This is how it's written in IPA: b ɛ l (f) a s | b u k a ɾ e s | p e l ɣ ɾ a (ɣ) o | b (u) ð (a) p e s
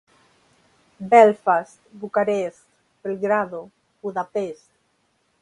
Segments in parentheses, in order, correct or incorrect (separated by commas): correct, incorrect, correct, correct